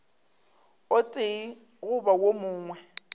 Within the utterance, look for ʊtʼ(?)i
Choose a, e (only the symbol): e